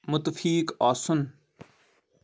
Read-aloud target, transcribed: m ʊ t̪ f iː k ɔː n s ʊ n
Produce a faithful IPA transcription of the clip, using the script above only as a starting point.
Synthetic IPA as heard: m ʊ t̪ f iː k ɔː s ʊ n